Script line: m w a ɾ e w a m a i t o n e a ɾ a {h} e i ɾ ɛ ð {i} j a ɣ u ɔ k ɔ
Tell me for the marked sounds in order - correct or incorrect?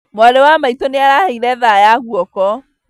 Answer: correct, incorrect

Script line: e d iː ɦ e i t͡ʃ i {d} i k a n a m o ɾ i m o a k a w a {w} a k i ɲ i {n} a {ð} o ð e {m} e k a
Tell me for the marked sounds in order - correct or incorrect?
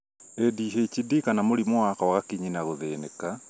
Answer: correct, incorrect, correct, incorrect, incorrect

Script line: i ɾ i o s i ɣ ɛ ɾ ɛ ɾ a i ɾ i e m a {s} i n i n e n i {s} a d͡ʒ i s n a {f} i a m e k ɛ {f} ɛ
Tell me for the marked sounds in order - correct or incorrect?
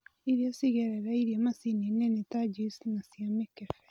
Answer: correct, incorrect, incorrect, correct

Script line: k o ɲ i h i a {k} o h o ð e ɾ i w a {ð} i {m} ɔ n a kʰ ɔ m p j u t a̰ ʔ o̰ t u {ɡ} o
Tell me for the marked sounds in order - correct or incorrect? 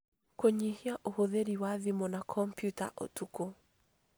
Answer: incorrect, correct, correct, incorrect

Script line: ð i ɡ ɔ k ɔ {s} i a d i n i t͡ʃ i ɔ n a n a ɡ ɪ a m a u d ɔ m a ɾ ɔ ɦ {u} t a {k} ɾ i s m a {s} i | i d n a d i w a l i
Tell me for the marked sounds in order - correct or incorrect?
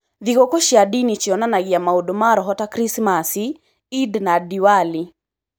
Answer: incorrect, incorrect, correct, correct

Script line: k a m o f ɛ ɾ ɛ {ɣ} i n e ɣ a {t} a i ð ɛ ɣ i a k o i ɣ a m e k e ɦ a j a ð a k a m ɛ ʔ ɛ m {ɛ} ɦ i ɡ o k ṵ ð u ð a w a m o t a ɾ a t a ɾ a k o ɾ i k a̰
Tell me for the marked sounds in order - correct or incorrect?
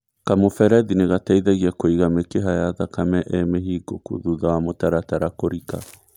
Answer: incorrect, correct, incorrect

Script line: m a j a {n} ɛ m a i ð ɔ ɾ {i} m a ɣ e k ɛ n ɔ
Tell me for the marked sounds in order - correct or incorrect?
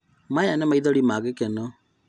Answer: correct, correct

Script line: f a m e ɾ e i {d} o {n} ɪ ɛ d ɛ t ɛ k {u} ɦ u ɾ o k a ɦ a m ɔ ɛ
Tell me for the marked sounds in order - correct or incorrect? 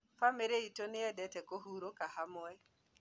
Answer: incorrect, correct, incorrect

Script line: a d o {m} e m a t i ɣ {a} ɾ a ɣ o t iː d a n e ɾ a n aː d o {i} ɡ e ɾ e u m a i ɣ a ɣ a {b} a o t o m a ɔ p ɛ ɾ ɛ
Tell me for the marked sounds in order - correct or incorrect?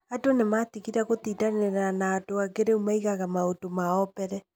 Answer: incorrect, incorrect, incorrect, incorrect

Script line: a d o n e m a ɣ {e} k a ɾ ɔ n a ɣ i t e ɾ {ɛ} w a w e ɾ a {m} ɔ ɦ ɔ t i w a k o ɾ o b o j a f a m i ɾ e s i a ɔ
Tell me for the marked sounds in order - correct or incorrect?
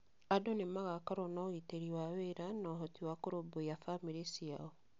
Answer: incorrect, incorrect, incorrect

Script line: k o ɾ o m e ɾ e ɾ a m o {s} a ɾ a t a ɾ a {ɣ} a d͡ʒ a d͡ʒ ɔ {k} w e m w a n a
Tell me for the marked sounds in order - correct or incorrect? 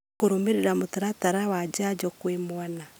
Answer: incorrect, incorrect, correct

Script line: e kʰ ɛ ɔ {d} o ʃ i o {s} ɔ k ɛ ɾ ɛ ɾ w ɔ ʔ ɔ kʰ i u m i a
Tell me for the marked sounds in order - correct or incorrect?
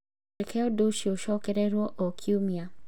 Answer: correct, incorrect

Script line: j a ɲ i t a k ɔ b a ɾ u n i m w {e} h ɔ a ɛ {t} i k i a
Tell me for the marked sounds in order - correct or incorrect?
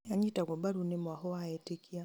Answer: incorrect, correct

